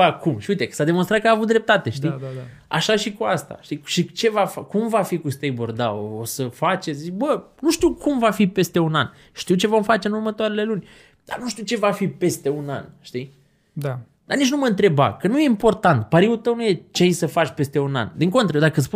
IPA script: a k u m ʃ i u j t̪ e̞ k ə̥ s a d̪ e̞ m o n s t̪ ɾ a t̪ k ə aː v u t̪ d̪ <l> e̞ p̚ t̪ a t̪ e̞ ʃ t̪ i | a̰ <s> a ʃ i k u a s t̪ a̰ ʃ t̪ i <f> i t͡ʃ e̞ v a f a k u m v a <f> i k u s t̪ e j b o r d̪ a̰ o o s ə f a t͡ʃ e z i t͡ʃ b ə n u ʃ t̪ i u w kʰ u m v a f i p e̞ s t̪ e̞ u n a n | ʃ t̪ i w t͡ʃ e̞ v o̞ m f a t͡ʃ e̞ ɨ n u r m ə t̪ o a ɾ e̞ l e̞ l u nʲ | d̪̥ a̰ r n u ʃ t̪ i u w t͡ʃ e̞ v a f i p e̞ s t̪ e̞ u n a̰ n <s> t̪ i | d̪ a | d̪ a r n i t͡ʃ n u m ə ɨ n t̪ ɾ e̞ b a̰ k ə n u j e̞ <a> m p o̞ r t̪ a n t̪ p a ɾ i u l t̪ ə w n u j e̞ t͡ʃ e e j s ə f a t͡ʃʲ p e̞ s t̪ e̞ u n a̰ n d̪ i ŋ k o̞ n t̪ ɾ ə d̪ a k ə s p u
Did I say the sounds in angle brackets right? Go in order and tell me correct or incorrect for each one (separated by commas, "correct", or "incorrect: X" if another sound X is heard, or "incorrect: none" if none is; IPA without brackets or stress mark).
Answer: incorrect: ɾ, incorrect: ʃ, incorrect: ʃ, correct, incorrect: ʃ, incorrect: i